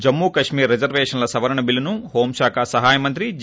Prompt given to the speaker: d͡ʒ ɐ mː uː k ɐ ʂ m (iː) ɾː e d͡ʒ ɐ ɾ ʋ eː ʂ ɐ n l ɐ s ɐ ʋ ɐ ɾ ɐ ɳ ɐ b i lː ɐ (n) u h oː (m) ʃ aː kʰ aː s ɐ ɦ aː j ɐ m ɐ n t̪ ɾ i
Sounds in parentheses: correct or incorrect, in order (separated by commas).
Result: correct, correct, correct